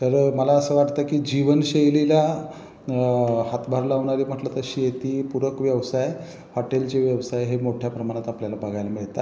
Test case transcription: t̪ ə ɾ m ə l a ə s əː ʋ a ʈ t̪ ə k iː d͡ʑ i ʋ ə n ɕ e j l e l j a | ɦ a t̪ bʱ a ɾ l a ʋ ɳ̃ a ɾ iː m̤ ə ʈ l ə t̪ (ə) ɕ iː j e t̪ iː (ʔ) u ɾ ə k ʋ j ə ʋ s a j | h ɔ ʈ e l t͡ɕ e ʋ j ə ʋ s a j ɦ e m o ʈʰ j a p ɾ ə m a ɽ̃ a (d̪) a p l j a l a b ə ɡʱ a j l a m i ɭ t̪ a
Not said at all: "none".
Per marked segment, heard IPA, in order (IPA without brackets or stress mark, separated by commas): ə, p, t̪